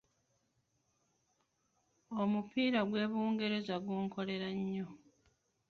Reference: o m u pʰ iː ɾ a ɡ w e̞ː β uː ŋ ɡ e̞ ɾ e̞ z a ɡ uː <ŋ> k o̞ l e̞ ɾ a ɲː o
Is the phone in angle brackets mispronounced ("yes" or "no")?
no